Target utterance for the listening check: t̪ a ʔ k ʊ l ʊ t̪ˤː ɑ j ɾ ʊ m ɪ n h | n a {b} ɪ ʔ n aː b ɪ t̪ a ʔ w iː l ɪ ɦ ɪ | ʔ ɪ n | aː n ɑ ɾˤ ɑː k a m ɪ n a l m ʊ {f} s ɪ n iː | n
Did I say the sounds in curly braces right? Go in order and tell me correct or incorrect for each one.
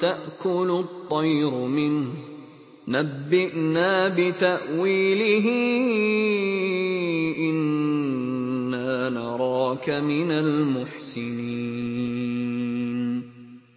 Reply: incorrect: bː, incorrect: ħ

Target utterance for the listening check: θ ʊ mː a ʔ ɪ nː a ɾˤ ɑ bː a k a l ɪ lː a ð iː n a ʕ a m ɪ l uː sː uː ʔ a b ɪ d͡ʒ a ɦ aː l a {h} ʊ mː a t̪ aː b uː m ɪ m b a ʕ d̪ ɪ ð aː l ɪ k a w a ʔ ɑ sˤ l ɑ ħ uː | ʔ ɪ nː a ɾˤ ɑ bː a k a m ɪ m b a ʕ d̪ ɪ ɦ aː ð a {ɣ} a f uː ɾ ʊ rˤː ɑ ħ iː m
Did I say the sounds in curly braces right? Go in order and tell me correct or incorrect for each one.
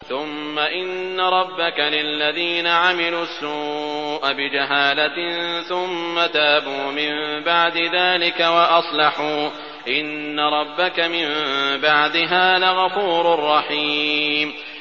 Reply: incorrect: θ, correct

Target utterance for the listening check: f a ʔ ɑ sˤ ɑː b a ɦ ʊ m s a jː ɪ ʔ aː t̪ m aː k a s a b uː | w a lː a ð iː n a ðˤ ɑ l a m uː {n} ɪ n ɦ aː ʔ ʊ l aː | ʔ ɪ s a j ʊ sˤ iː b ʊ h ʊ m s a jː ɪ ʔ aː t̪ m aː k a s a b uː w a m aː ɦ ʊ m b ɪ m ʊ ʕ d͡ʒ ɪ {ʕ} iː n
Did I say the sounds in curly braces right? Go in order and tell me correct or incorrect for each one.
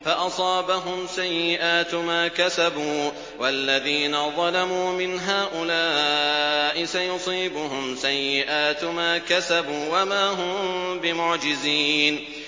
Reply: incorrect: m, incorrect: z

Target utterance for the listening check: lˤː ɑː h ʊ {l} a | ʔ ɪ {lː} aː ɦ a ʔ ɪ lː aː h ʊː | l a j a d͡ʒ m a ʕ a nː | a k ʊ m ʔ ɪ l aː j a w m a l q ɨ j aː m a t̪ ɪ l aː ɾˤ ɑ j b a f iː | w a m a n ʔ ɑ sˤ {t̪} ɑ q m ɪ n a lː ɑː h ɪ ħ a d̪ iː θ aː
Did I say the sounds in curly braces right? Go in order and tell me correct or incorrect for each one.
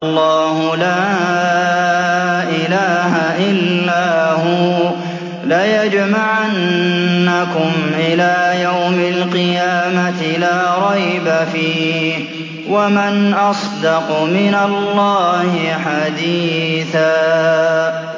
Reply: correct, incorrect: l, incorrect: d̪

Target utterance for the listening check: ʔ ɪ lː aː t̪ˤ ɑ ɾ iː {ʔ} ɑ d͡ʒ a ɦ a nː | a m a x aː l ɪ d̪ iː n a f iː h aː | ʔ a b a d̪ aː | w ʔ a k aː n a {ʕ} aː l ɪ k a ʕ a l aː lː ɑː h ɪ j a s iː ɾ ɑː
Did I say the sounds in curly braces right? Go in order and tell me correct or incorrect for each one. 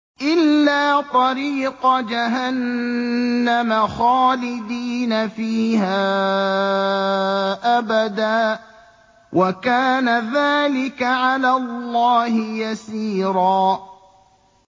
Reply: incorrect: q, incorrect: ð

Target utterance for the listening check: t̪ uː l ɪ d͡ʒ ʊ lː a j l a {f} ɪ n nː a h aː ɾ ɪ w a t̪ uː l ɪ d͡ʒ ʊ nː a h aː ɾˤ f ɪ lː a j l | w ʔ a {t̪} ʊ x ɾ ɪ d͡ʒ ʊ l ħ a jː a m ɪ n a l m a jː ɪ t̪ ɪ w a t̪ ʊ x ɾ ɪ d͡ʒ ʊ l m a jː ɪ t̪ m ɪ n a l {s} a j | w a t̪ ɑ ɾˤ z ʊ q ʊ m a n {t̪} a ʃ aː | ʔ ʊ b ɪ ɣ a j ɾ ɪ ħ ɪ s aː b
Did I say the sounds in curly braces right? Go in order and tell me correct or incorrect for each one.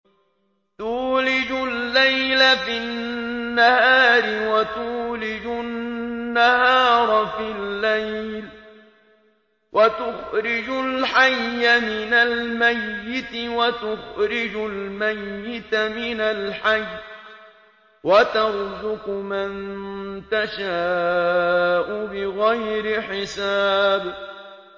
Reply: correct, correct, incorrect: ħ, correct

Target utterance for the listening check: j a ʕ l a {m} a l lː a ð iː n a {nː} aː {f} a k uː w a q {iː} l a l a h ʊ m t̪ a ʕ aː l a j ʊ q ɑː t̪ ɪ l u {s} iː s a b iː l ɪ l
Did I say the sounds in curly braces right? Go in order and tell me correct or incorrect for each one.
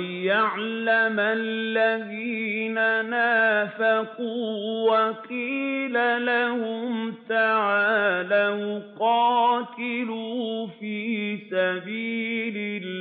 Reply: correct, incorrect: n, correct, correct, incorrect: f

